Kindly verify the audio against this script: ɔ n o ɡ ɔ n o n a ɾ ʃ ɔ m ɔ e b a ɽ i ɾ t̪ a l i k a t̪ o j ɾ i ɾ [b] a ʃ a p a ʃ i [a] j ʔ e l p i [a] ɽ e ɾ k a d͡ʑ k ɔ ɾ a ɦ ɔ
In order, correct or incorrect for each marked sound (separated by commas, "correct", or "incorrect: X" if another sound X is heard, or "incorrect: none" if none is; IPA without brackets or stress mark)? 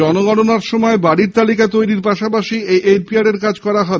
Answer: incorrect: p, incorrect: e, correct